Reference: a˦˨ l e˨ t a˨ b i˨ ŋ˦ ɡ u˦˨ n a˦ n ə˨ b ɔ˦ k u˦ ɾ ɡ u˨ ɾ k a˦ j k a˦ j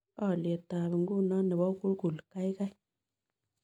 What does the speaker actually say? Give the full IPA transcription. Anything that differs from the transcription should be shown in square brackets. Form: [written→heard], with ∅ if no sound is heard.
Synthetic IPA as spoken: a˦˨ l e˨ t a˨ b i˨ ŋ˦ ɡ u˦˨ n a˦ n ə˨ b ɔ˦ k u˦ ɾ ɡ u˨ [ɾ→l] k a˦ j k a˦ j